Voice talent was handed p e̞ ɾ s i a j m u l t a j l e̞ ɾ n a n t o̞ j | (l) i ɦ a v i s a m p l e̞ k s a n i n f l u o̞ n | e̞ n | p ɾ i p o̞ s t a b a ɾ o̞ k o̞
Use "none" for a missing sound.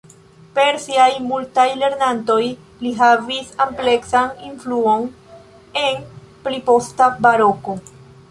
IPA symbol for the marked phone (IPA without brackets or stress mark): l